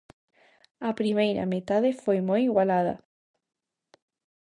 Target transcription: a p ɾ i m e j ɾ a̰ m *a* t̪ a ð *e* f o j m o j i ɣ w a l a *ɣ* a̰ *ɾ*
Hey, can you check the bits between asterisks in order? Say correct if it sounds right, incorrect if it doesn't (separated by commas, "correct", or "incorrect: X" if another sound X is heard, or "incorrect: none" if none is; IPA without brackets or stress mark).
incorrect: e, correct, incorrect: ð, incorrect: none